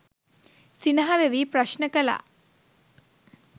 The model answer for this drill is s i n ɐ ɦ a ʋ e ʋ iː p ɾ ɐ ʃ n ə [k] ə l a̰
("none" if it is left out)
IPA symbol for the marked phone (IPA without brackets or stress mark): k